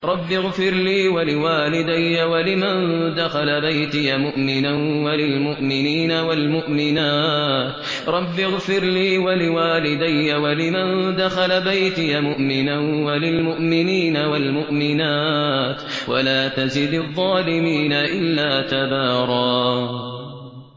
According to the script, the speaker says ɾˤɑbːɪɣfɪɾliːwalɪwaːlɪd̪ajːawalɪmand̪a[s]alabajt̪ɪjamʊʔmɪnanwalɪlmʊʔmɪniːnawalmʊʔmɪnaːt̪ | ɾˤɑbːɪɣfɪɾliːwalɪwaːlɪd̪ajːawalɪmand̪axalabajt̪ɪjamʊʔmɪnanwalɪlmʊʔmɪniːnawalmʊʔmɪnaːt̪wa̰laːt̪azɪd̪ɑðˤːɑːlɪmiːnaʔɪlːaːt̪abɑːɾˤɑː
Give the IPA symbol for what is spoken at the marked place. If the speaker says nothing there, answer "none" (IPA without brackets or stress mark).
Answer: x